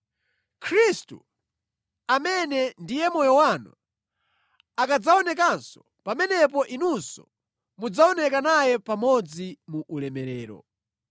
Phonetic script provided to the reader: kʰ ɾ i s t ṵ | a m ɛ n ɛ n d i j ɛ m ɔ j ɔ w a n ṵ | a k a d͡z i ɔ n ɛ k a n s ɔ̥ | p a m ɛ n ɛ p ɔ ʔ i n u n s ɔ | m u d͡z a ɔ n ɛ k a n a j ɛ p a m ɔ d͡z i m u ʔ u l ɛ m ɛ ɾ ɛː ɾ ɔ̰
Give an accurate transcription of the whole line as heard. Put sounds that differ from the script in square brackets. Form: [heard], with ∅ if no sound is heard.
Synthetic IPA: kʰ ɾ i s t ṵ | a m ɛ n ɛ n d i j ɛ m ɔ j ɔ w a n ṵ | a k a d͡z [a] ɔ n ɛ k a n s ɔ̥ | p a m ɛ n ɛ p ɔ ʔ i n u n s ɔ | m u d͡z a ɔ n ɛ k a n a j ɛ p a m ɔ d͡z i m u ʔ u l ɛ m ɛ ɾ ɛː ɾ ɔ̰